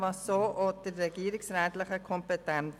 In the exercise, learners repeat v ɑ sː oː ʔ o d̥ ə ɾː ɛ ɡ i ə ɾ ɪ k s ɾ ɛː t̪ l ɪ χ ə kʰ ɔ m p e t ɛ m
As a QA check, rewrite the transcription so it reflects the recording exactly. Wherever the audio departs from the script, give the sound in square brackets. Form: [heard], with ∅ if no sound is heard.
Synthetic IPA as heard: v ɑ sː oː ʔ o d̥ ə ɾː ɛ ɡ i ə ɾ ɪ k s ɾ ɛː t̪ l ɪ χ ə kʰ ɔ m p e t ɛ [n]

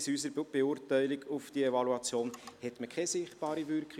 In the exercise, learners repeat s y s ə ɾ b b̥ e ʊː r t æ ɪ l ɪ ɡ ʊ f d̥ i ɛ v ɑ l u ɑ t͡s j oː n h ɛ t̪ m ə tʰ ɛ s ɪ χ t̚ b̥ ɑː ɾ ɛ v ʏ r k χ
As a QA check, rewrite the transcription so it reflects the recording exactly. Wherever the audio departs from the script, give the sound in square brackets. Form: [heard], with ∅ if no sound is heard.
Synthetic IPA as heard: s y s ə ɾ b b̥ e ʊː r t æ ɪ l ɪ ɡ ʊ f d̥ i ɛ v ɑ l u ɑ t͡s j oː n h ɛ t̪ m ə [kʰ] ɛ s ɪ χ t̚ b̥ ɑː ɾ [i] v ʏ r k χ

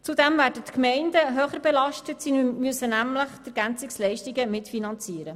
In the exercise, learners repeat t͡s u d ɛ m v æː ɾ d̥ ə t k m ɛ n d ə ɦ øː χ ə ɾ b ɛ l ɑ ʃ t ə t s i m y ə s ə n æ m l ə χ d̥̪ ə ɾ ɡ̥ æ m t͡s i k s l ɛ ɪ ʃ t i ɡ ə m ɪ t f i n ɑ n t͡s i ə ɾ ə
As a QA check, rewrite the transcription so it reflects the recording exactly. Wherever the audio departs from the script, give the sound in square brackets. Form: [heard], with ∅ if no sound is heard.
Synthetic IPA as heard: t͡s u d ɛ m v æː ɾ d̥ ə t k m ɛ n d ə ɦ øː χ ə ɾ b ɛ l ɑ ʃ t ə t s i m y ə s ə n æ m l ə χ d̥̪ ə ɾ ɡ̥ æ [n] t͡s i k s l ɛ ɪ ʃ t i ɡ ə m ɪ t f i n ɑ n t͡s i ə ɾ ə

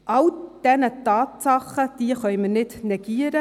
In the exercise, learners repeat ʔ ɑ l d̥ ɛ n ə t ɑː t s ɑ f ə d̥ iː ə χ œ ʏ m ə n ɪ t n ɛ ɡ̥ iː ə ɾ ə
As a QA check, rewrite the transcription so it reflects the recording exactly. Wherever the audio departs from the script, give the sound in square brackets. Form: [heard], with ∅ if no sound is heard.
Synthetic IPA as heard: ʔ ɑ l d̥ ɛ n ə t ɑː t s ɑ [χ] ə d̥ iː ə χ œ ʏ m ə n ɪ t n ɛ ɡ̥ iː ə ɾ ə

